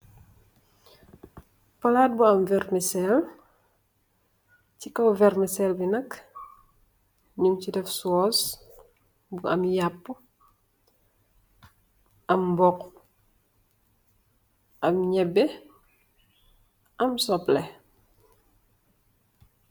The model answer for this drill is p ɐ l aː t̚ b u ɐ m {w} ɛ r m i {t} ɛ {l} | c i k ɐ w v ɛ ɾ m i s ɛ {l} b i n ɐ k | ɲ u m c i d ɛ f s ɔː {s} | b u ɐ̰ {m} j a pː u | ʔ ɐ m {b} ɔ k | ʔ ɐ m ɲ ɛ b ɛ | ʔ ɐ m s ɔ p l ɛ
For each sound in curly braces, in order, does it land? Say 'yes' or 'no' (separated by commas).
no, no, yes, yes, yes, yes, yes